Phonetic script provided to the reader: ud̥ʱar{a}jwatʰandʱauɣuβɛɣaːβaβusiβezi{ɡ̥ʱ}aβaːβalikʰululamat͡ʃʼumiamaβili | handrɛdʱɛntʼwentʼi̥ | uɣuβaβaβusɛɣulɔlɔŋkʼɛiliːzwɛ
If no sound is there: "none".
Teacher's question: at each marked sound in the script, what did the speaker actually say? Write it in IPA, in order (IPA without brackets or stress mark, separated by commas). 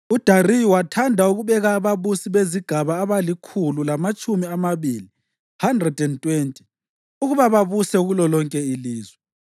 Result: i, ɡ̥ʱ